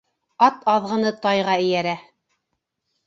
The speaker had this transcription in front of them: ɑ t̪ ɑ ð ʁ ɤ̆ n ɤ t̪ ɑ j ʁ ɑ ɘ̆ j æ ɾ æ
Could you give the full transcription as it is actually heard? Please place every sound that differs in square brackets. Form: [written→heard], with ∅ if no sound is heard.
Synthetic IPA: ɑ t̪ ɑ ð ʁ ɤ̆ n ɤ t̪ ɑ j ʁ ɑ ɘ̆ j æ ɾ æ